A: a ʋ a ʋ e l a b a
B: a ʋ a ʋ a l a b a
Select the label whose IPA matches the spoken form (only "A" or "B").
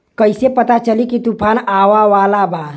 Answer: B